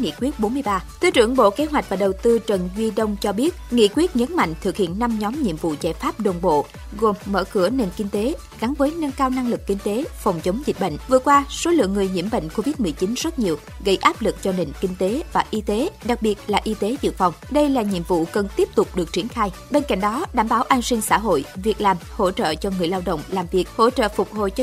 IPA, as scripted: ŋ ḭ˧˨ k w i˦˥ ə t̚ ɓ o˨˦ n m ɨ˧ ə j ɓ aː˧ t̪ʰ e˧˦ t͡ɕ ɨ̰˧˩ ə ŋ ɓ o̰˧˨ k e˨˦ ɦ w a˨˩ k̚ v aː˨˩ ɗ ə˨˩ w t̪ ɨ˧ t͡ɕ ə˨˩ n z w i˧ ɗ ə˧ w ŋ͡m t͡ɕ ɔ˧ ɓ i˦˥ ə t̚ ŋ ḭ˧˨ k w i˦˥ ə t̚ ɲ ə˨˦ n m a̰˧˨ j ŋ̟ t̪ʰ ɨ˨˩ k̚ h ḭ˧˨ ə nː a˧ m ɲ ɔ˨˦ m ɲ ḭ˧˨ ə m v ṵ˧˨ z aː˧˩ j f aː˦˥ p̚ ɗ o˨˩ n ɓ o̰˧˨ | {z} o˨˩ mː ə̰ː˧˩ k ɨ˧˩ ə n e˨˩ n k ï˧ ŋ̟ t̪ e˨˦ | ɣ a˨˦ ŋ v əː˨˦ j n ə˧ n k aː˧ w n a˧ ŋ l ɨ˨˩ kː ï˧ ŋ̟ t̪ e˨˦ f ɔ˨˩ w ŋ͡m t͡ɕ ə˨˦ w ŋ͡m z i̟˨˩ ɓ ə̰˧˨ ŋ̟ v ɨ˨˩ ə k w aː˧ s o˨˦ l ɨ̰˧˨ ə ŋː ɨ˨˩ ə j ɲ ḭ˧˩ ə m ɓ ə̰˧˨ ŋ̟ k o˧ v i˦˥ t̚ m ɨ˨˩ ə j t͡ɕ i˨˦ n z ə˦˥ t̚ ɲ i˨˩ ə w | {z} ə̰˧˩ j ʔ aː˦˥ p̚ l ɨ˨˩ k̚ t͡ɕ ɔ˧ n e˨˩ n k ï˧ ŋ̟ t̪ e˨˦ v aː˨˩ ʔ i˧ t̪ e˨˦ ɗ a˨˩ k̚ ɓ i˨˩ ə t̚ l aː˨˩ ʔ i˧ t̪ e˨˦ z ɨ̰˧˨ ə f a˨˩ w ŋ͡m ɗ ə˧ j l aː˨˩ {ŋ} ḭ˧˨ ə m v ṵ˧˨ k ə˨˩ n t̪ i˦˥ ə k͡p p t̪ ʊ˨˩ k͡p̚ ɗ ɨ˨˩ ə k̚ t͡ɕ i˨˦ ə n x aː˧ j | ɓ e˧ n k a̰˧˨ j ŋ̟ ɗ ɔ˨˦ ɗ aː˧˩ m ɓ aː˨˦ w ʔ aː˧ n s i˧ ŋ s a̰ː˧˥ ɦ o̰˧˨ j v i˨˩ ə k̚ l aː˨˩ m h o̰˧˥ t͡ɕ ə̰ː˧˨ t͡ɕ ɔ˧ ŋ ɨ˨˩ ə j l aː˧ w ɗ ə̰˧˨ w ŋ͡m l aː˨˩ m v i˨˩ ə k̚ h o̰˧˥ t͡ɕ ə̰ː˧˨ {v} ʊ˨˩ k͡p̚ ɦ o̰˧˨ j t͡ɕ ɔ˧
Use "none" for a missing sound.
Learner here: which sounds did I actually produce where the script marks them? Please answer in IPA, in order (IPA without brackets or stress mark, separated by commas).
ɣ, ɣ, ɲ, f